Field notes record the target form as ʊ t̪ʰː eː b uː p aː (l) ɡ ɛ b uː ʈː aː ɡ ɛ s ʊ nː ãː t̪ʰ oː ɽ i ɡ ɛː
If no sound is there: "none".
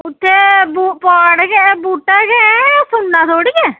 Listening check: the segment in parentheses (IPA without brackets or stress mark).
ɽ